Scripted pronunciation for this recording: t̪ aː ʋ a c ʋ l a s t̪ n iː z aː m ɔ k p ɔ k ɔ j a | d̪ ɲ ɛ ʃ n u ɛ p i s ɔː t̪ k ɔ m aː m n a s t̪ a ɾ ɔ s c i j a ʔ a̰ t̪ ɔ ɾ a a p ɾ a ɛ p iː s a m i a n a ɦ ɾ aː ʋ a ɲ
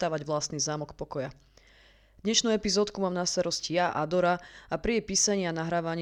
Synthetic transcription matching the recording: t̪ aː ʋ a ɟ ʋ l a s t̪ n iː z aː m ɔ k p ɔ k ɔ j a | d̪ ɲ ɛ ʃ n u ɛ p i z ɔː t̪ k u m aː m n a s t̪ a ɾ ɔ s c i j a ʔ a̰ d̪ ɔ ɾ a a p ɾ i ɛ p iː s a ɲ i a n a ɦ ɾ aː ʋ a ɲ